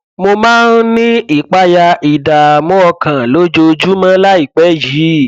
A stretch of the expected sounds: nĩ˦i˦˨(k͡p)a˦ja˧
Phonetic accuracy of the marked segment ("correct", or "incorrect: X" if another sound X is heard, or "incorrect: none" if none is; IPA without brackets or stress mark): correct